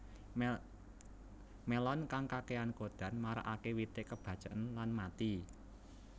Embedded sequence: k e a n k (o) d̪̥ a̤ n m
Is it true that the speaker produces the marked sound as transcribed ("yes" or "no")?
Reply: yes